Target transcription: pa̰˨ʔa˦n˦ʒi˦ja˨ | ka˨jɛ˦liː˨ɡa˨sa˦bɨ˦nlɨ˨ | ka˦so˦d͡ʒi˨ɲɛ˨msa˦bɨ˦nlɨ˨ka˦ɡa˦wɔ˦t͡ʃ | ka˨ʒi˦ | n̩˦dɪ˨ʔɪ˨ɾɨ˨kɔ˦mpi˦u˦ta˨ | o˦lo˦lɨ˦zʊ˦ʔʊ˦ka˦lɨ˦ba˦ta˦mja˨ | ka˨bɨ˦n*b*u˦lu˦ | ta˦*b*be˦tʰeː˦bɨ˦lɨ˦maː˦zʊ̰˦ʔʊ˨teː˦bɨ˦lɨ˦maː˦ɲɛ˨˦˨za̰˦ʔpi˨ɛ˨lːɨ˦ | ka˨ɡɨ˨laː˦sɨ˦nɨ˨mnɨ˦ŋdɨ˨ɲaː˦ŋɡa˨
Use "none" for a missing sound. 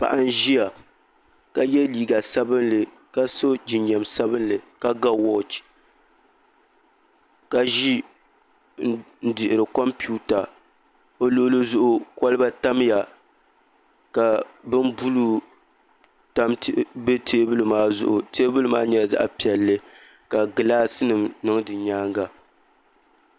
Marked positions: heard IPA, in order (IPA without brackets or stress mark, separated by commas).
b, m